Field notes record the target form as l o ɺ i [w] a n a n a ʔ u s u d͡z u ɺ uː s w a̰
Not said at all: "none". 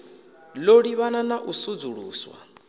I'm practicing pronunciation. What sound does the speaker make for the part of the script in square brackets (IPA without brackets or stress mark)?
β